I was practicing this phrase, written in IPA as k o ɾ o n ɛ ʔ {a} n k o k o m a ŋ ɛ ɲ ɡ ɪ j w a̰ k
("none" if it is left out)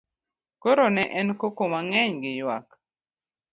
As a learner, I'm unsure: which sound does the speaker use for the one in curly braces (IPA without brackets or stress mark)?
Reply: ɛ